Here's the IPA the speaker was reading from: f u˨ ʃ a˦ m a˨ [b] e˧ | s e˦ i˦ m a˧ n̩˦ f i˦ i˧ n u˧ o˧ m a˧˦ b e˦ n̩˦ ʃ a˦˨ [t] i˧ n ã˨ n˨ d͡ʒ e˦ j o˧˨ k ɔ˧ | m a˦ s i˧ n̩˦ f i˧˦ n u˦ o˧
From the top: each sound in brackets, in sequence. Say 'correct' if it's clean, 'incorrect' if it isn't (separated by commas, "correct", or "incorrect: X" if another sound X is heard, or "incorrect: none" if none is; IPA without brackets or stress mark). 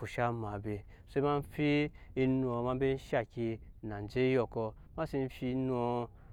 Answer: correct, incorrect: k